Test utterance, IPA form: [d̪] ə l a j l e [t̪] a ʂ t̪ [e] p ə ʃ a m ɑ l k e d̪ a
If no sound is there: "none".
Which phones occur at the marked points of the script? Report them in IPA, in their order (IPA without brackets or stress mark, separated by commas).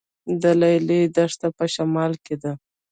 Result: d̪, d̪, a